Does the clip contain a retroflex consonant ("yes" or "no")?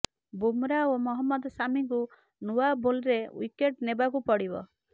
yes